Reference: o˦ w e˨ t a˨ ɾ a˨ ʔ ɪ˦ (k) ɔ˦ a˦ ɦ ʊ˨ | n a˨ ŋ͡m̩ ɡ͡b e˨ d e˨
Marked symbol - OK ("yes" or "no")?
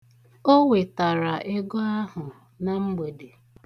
no